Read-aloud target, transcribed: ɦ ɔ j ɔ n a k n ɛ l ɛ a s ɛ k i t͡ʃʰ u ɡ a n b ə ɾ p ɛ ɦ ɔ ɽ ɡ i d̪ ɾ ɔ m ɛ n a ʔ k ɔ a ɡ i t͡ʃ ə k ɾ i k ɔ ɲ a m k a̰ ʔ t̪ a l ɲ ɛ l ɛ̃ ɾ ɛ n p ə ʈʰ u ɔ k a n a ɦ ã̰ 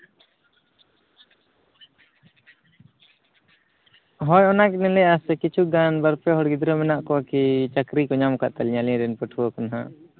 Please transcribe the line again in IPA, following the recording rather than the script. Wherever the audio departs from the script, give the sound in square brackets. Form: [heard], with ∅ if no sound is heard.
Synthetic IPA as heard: ɦ ɔ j ɔ n a k n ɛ l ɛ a s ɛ k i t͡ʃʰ u ɡ a n b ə ɾ p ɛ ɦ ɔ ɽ ɡ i d̪ ɾ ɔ m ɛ n a ʔ k ɔ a [k] i t͡ʃ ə k ɾ i k ɔ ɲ a m k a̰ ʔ t̪ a l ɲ [a] l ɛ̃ ɾ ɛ n p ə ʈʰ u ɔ k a n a ɦ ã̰